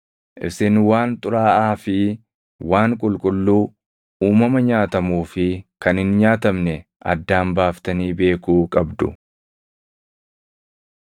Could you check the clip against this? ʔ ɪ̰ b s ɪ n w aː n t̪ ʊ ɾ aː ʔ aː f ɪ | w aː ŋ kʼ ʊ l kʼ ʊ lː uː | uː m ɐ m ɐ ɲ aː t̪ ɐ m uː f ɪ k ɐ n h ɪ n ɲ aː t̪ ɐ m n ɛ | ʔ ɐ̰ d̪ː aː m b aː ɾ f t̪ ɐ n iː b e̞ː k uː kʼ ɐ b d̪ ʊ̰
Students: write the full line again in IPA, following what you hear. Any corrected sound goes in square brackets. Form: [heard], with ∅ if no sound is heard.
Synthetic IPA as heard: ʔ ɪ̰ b s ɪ n w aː n [t̪ʼ] ʊ ɾ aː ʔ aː f ɪ | w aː ŋ kʼ ʊ l kʼ ʊ lː uː | uː m ɐ m ɐ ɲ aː t̪ ɐ m uː f ɪ k ɐ n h ɪ n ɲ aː t̪ ɐ m n ɛ | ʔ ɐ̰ d̪ː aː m b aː [∅] f t̪ ɐ n iː b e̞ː k uː kʼ ɐ b d̪ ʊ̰